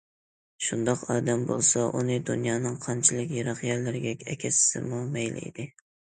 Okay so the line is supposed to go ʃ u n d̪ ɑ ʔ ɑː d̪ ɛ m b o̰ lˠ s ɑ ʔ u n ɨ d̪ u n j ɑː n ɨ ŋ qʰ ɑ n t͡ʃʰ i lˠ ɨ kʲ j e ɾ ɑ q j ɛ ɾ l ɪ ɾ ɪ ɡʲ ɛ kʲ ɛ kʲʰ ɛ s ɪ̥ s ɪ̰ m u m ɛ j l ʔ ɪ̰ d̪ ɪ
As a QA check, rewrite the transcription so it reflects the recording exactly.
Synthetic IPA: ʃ u n d̪ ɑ q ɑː d̪ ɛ m b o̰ lˠ s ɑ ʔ u n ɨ d̪ u n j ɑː n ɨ ŋ qʰ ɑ n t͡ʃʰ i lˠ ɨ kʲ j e ɾ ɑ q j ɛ ɾ l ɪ ɾ ɪ ɡʲ ɛ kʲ ɛ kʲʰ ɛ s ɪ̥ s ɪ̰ m u m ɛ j l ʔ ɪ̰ d̪ ɪ